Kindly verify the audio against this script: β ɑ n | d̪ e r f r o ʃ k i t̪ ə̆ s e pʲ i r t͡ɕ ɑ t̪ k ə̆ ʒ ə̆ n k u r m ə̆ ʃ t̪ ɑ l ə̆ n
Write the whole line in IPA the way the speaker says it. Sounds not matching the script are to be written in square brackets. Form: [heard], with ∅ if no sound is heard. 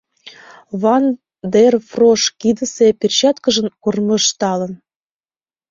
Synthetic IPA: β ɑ n | d̪ e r f r o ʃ k i [d̪] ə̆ s e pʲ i r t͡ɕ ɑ t̪ k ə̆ ʒ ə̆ n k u r m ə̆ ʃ t̪ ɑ l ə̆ n